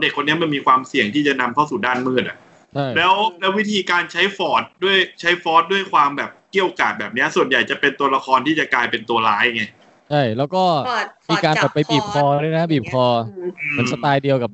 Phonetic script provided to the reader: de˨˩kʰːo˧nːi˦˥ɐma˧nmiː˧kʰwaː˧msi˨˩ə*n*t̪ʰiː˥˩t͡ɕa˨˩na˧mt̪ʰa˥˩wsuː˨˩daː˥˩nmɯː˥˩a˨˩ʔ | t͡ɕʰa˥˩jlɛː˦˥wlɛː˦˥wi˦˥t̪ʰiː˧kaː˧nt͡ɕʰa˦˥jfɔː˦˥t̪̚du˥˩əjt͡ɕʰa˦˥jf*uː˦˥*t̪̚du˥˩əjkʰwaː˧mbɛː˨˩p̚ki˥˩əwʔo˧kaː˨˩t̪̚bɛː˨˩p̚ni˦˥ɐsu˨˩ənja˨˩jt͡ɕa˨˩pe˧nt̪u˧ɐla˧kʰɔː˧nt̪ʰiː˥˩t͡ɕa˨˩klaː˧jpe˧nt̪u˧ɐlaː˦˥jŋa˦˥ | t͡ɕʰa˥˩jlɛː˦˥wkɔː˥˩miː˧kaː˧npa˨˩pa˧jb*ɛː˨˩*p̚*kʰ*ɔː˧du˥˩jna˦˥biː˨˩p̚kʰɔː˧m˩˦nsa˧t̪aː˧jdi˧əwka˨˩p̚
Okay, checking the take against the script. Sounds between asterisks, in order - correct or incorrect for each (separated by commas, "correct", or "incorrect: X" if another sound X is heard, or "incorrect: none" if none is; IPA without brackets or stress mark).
incorrect: ŋ, incorrect: ɔː˦˥, incorrect: iː˨˩, correct